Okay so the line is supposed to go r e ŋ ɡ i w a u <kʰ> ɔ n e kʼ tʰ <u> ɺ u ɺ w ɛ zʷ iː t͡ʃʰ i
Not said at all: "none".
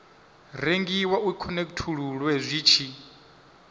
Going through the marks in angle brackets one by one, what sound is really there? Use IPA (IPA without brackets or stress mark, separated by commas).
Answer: kʰ, u